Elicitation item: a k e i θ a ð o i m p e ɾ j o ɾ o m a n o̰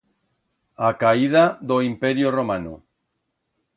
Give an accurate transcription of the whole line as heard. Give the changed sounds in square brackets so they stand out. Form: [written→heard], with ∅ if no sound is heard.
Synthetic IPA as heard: a k [e→a] i [θ→ð] a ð o i m p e ɾ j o [ɾ→r] o m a n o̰